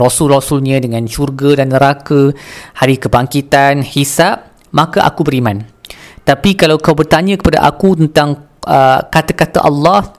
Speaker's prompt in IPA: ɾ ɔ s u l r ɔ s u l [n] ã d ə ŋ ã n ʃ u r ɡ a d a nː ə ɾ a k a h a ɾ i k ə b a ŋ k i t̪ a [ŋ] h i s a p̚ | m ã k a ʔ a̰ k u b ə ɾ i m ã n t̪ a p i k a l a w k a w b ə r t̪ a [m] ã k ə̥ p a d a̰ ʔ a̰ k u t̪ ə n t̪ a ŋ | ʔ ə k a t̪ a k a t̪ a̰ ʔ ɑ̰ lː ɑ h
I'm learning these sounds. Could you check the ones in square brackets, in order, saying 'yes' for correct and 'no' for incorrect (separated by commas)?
no, no, no